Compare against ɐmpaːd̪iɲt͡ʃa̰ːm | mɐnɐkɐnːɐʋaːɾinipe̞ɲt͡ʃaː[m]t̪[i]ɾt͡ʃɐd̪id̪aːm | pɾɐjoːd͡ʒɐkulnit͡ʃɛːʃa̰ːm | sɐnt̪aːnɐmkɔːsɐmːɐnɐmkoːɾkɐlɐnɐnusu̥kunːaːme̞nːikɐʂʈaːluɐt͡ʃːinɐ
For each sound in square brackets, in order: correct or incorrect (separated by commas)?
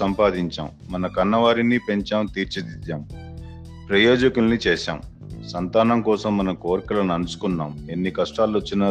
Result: correct, incorrect